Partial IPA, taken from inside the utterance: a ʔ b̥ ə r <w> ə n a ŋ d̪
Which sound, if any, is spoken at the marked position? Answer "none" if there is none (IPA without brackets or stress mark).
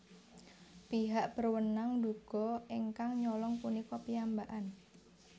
w